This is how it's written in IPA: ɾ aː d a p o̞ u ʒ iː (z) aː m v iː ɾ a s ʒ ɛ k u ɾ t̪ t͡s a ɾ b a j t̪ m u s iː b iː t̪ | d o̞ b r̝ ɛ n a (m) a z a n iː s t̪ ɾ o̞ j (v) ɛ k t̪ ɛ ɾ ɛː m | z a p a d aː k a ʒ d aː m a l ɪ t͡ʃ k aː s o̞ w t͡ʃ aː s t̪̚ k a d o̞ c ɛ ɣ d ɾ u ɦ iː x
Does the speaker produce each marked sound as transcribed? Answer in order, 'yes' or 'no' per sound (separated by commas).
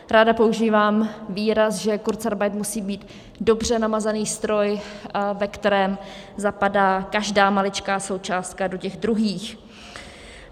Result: no, yes, yes